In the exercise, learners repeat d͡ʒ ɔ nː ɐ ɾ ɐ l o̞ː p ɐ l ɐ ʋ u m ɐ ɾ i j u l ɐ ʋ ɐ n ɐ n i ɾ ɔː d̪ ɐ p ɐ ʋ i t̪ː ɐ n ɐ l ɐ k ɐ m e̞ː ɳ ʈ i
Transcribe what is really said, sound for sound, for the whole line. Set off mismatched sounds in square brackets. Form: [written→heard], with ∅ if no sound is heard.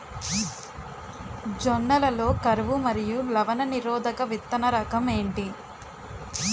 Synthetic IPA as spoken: d͡ʒ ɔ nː ɐ [ɾ→l] ɐ l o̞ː [p→k] ɐ [l→ɾ] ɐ ʋ u m ɐ ɾ i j u l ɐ ʋ ɐ n ɐ n i ɾ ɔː d̪ ɐ [p→k] ɐ ʋ i t̪ː ɐ n ɐ [l→ɾ] ɐ k ɐ m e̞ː ɳ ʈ i